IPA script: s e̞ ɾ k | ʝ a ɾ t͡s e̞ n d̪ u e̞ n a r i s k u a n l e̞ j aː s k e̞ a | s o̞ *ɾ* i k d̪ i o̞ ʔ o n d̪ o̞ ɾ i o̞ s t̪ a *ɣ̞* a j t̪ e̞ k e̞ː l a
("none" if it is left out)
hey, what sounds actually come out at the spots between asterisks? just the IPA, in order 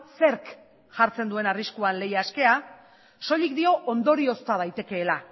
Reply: ʎ, ð̞

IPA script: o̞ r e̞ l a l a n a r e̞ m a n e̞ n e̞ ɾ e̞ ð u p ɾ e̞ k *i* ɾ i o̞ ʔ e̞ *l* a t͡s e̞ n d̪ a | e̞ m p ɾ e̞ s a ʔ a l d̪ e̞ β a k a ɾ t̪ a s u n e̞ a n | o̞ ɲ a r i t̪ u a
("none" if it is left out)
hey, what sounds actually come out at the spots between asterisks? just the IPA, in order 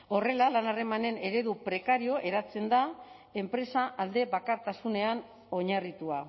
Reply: a, ɾ

